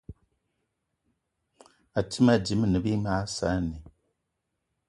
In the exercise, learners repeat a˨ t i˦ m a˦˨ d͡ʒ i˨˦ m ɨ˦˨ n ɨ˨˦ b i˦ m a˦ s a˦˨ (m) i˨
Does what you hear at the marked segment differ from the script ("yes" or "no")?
yes